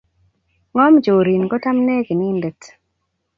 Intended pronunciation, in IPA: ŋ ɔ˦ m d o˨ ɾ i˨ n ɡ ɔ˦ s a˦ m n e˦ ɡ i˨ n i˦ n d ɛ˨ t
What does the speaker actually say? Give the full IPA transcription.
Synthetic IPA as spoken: ŋ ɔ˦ m d͡ʒ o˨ ɾ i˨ n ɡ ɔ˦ t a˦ m n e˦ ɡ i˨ n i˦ n d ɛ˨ t